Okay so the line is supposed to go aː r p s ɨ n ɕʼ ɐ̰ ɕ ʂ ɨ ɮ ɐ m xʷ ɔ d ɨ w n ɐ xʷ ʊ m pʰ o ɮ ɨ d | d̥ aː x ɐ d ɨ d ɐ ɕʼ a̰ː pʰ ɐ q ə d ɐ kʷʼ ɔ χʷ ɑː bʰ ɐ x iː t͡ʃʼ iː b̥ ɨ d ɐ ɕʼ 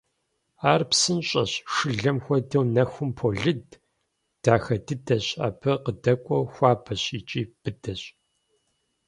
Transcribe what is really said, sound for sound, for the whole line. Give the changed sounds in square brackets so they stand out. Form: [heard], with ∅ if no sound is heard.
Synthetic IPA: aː r p s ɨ n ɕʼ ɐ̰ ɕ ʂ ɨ ɮ ɐ m xʷ ɔ d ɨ w n ɐ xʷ ʊ m pʰ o ɮ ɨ d | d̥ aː x ɐ d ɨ d ɐ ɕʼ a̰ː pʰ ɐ q ə d ɐ kʷʼ ɔ [xʷ] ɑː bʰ ɐ [ɕ] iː t͡ʃʼ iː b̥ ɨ d ɐ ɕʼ